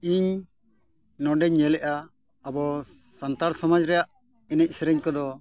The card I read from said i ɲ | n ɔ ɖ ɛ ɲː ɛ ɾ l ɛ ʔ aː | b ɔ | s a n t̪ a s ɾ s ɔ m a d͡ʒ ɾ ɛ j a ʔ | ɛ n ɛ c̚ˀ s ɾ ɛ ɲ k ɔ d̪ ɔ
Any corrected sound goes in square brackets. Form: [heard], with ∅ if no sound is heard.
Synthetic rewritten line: i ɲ | n ɔ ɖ ɛ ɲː ɛ [∅] l ɛ ʔ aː | b ɔ | s a n t̪ a [∅] ɾ s ɔ m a d͡ʒ ɾ ɛ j a ʔ | ɛ n ɛ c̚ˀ s ɾ ɛ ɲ k ɔ d̪ ɔ